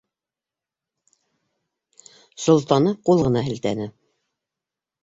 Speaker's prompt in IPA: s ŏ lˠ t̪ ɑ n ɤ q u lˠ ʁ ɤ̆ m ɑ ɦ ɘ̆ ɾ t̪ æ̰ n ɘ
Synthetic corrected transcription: s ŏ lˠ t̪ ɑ n ɤ q u lˠ ʁ ɤ̆ n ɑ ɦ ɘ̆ l t̪ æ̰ n ɘ